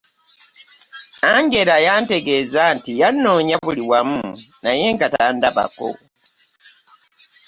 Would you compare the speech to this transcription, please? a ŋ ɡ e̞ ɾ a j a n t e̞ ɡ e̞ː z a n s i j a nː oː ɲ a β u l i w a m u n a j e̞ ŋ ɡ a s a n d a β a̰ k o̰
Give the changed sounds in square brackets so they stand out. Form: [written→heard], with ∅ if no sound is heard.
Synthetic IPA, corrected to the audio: a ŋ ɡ e̞ ɾ a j a n t e̞ ɡ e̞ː z a n [s→t] i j a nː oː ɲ a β u l i w a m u n a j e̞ ŋ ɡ a [s→t] a n d a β a̰ k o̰

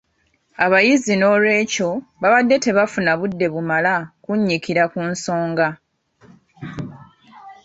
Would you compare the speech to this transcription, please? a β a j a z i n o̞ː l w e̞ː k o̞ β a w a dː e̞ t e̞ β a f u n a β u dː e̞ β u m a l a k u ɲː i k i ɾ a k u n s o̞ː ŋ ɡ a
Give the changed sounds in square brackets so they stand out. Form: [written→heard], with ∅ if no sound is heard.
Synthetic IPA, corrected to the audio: a β a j [a→i] z i n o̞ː l w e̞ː [k→c] o̞ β a [w→β] a dː e̞ t e̞ β a f u n a β u dː e̞ β u m a l a k u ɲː i k i ɾ a k u n s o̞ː ŋ ɡ a

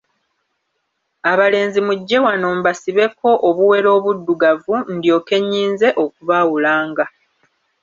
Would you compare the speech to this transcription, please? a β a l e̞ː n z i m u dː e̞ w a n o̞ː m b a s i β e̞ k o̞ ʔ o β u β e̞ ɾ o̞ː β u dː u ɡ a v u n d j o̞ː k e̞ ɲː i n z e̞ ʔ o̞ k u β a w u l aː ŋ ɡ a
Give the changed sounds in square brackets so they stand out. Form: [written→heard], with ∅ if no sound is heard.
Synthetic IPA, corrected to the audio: a β a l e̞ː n z i m u [dː→ɟː] e̞ w a n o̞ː m b a s i β e̞ k o̞ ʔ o β u [β→w] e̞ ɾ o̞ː β u dː u ɡ a v u n d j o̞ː k e̞ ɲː [i→iː] n z e̞ ʔ o̞ k u β a w u l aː ŋ ɡ a

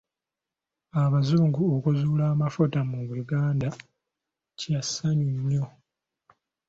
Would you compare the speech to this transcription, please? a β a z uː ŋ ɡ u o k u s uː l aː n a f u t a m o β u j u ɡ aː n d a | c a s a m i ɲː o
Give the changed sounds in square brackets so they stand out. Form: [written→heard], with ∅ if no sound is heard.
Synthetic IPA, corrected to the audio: a β a z uː ŋ ɡ u o k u [s→z] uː l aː [n→m] a f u t a m [o→u] β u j u ɡ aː n d a | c a s a [m→ɲ] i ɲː o

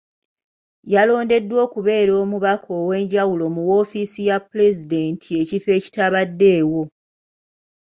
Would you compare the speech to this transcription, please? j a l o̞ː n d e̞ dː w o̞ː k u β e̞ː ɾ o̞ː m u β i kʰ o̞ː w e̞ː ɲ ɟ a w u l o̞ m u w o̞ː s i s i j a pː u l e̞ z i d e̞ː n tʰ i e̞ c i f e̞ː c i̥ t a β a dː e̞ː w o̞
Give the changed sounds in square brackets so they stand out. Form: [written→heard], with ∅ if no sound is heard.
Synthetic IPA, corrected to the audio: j a l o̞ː n d e̞ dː w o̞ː k u β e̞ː ɾ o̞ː m u β [i→a] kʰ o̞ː w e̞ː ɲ ɟ a w u l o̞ m u w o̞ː [s→f] i s i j a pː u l e̞ z i d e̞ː n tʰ i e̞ c i f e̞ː c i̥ t a β a dː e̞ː w o̞

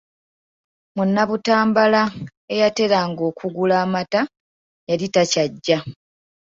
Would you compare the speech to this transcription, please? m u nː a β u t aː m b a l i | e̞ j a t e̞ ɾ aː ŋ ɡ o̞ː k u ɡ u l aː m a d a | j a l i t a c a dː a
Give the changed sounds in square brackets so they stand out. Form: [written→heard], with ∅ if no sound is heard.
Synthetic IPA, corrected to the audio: m u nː a β u t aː m b a l [i→a] | e̞ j a t e̞ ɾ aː ŋ ɡ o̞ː k u ɡ u l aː m a [d→t] a | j a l i t a c a [dː→ɟː] a

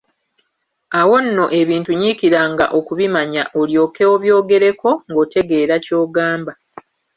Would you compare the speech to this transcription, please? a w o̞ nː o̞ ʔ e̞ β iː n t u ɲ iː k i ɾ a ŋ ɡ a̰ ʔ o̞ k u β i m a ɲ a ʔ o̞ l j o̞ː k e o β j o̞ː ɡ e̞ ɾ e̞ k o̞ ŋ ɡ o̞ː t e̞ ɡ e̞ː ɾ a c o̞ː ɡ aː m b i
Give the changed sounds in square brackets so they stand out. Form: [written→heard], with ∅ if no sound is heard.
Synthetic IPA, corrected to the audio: a w o̞ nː o̞ ʔ e̞ β iː n t u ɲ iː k i ɾ a ŋ ɡ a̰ ʔ o̞ k u β i m a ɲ a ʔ o̞ l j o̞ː k e o β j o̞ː ɡ e̞ ɾ e̞ k o̞ ŋ ɡ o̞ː t e̞ ɡ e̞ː ɾ a c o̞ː ɡ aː m b [i→a]

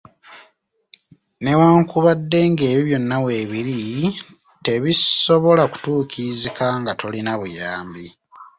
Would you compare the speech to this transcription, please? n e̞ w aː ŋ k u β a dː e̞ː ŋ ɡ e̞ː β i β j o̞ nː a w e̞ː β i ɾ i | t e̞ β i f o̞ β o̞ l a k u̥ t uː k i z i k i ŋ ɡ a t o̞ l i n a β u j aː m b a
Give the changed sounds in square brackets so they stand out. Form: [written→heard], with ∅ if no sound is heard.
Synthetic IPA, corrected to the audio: n e̞ w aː ŋ k u β a dː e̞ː ŋ ɡ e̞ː β i β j o̞ nː a w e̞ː β i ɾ i | t e̞ β i [f→s] o̞ β o̞ l a k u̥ t uː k i z i k [i→a] ŋ ɡ a t o̞ l i n a β u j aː m b [a→i]

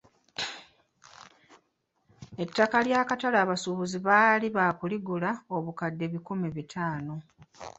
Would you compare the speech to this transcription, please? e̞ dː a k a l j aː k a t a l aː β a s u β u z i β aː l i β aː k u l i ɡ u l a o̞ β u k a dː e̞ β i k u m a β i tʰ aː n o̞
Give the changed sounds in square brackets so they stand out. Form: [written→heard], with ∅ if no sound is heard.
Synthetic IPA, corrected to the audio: e̞ [dː→tː] a k a l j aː k a t a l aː β a s u β u z i β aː l i β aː k u l i ɡ u l a o̞ β u k a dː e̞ β i k u m [a→i] β i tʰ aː n o̞

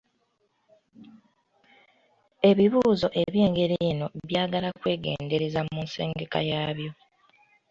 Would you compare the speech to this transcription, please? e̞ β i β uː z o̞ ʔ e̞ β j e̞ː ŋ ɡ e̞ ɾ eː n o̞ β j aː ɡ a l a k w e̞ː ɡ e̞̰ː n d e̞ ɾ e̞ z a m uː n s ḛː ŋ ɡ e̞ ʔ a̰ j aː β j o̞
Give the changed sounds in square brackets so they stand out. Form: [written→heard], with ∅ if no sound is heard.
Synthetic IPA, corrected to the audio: e̞ β i β uː z o̞ ʔ e̞ β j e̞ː ŋ ɡ e̞ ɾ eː n o̞ β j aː ɡ a l a k w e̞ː ɡ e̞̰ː n d e̞ ɾ e̞ z a m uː n s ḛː ŋ ɡ e̞ [ʔ→k] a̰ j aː β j o̞

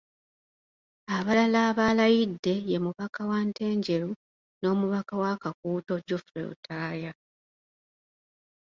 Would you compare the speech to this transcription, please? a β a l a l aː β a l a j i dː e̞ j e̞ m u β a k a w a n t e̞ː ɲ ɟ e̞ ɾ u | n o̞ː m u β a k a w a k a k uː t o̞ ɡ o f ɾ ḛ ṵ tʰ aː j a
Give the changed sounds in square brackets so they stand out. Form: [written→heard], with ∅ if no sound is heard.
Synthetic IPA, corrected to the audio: a β a l a l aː β a l a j i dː e̞ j e̞ m u β a k a w a n t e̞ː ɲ ɟ e̞ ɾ u | n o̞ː m u β a k a w a k a k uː t o̞ [ɡ→ɟ] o f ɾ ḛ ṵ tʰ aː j a

